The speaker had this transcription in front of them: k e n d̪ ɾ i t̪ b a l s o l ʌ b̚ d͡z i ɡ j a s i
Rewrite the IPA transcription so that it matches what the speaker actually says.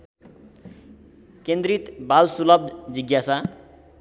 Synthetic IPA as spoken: k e n d̪ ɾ i t̪ b a l s u l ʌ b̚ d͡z i ɡ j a s a